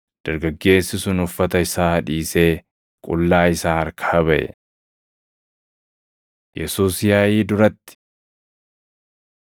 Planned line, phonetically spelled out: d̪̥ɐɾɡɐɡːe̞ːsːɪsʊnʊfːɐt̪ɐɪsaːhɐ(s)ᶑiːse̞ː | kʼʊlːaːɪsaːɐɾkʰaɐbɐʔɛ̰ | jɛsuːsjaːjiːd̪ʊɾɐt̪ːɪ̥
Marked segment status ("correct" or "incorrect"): incorrect